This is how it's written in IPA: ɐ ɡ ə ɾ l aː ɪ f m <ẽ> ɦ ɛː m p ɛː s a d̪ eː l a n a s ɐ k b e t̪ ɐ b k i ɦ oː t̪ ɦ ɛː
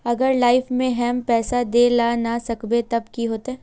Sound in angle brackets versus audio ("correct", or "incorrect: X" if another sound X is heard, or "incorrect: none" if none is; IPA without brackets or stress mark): correct